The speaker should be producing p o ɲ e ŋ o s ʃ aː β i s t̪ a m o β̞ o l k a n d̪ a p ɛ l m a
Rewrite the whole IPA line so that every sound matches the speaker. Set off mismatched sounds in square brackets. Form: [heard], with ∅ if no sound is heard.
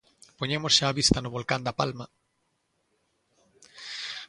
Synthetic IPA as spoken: p o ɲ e [m] o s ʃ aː β i s t̪ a [n] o β̞ o l k a n d̪ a p [a] l m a